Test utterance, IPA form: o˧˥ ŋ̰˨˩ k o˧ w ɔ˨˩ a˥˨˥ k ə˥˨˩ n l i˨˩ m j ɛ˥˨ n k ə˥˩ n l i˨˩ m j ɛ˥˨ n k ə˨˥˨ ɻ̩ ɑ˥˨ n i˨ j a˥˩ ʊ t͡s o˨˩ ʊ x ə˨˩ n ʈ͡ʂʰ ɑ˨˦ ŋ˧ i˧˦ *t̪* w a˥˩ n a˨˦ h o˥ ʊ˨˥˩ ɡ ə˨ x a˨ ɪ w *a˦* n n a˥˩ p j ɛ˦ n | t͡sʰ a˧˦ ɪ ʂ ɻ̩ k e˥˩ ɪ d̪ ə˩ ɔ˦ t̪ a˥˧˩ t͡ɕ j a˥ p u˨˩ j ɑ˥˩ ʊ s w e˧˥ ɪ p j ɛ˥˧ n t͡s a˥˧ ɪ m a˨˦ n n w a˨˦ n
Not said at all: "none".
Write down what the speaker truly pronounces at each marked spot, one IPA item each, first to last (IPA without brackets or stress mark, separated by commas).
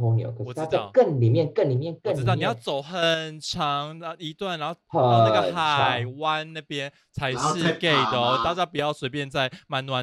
t̪, a˦